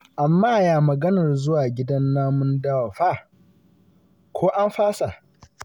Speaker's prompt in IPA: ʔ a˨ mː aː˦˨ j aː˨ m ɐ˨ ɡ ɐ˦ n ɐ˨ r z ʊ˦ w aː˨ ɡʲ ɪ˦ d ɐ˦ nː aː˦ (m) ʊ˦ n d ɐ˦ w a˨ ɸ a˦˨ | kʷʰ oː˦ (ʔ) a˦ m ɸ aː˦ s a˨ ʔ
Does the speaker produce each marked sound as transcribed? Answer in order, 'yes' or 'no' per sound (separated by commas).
yes, yes